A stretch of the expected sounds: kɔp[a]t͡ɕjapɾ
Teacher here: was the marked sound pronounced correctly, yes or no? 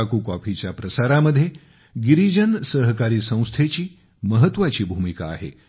no